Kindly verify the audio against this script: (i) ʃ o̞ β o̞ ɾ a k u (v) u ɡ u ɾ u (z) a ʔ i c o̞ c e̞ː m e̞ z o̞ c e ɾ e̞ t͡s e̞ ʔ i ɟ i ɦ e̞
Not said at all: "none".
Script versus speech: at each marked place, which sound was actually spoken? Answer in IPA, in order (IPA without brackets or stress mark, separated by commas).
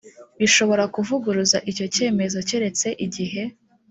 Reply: i, v, z